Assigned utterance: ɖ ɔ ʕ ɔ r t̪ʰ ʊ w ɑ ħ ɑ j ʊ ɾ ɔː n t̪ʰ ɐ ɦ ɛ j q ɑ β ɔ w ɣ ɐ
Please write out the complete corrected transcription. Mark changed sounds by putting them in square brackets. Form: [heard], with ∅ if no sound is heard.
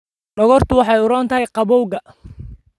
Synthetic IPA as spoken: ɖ ɔ [ɣ] ɔ r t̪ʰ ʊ w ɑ ħ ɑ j ʊ ɾ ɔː n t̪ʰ ɐ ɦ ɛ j q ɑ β ɔ w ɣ ɐ